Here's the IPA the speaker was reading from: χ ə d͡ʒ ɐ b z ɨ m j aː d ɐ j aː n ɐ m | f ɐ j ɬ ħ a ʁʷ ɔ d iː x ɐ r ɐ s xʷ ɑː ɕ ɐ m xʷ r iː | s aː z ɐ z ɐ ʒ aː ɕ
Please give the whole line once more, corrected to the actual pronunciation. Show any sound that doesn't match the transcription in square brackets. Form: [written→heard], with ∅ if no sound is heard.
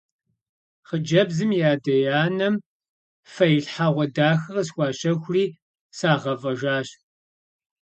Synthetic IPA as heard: χ ə d͡ʒ ɐ b z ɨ m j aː d ɐ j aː n ɐ m | f ɐ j ɬ ħ a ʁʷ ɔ d [iː→aː] x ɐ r ɐ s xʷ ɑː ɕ ɐ [m→∅] xʷ r iː | s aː [z→ʁ] ɐ [z→v] ɐ ʒ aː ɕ